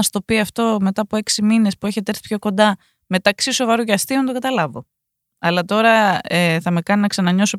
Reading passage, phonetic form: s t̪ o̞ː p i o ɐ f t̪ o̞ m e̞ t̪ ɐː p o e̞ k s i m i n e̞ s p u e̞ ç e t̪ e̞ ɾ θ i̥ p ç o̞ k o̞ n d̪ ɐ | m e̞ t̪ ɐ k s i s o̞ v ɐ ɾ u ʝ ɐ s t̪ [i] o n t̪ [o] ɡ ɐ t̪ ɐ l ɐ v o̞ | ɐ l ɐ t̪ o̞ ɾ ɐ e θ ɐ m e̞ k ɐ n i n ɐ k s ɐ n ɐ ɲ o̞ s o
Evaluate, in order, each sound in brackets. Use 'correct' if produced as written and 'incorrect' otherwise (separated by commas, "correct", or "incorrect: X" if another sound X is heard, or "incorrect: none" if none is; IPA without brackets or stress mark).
correct, correct